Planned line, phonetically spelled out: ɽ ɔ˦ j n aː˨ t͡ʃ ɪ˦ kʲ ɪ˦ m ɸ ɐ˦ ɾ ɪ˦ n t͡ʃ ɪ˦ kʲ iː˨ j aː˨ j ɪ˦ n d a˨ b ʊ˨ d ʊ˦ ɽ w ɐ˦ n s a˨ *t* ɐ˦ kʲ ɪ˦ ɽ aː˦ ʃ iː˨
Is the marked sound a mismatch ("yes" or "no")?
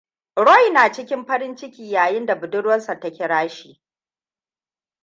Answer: no